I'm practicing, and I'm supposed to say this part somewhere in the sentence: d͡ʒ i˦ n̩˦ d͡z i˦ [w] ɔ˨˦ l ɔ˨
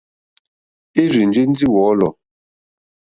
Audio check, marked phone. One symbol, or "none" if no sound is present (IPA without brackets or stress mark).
w